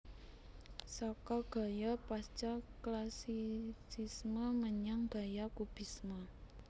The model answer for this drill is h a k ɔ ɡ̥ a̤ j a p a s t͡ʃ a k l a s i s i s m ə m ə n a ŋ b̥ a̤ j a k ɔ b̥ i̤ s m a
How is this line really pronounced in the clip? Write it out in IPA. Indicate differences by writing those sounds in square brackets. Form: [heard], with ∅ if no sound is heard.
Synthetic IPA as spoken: [s] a k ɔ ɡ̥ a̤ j a p a s t͡ʃ a k l a s i s i s m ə m ə [ɲ] a ŋ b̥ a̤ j a k [u] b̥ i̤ s m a